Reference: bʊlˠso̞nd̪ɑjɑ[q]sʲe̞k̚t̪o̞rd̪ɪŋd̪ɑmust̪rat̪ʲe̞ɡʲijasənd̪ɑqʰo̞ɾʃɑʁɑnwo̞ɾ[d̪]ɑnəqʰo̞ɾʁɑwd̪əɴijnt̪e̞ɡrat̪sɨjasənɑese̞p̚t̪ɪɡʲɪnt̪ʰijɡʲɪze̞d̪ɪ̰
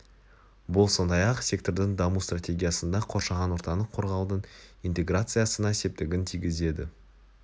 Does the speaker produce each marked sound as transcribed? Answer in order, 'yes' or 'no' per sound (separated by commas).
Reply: yes, no